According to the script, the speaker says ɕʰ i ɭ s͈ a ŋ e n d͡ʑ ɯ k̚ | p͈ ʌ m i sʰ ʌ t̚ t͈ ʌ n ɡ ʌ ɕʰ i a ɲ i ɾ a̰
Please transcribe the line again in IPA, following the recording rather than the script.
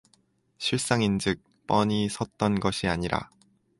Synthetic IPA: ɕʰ i ɭ s͈ a ŋ i n d͡ʑ ɯ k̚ | p͈ ʌ ɲ i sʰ ʌ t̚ t͈ ʌ n ɡ ʌ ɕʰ i a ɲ i ɾ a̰